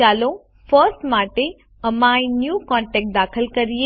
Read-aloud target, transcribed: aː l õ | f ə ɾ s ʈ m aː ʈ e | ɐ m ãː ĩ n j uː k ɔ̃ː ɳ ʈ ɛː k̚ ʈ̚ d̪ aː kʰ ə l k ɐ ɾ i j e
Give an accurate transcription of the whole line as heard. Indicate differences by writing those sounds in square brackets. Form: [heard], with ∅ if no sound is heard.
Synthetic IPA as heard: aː l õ | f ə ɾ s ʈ m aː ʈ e | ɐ m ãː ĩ n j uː k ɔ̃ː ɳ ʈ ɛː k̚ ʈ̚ d̪ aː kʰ ə l k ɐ ɾ i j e